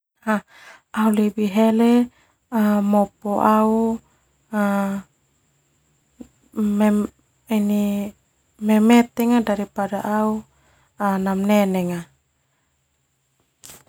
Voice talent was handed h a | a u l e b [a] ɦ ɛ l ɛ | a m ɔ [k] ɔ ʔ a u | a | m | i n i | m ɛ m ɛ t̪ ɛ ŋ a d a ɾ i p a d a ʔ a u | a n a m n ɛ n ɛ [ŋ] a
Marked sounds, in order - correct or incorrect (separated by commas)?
incorrect, incorrect, correct